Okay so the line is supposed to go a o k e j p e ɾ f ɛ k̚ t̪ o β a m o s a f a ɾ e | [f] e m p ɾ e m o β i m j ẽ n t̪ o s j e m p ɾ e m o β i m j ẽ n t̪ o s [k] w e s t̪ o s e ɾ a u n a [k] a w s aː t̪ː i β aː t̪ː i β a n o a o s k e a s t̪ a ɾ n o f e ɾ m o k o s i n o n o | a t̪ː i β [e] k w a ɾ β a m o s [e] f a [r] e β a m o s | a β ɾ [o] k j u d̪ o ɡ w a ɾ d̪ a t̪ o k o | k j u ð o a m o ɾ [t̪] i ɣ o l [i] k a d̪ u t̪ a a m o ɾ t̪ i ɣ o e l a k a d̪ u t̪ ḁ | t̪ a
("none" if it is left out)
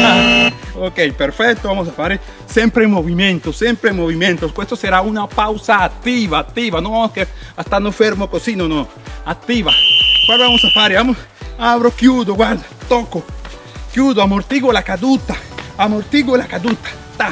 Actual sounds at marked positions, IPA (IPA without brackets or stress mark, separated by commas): s, k, p, a, a, ɾ, o, t̪, a